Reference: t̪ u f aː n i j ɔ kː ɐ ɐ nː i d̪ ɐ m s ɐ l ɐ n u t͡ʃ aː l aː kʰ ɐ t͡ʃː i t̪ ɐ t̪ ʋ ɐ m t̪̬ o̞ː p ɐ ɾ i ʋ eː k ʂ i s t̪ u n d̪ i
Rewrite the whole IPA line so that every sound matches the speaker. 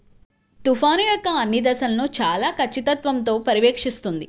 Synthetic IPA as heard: t̪ u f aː n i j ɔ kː ɐ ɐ nː i d̪ ɐ s ɐ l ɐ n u t͡ʃ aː l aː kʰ ɐ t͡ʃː i t̪ ɐ t̪ ʋ ɐ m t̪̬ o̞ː p ɐ ɾ i ʋ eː k ʂ i s t̪ u n d̪ i